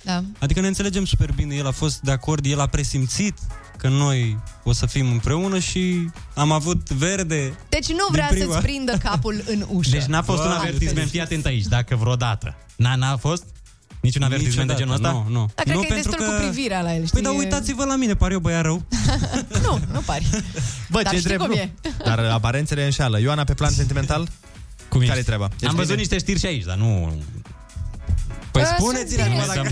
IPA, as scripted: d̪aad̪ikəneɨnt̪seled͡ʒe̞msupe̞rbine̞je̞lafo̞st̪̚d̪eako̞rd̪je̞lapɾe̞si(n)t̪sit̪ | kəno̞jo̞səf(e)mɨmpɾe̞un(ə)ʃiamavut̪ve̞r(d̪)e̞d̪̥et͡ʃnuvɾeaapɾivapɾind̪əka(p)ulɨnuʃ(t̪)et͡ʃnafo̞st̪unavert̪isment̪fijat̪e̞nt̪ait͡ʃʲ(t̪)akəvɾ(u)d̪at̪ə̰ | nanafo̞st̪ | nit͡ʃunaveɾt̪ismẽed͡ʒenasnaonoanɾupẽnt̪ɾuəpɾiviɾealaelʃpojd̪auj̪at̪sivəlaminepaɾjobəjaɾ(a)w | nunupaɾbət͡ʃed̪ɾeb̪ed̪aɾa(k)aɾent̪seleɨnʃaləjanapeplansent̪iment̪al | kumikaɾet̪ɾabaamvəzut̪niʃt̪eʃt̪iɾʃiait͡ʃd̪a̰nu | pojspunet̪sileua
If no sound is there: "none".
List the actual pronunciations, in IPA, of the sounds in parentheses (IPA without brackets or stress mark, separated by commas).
m, i, ə, d̪, p, d̪, d̪, o, ə, p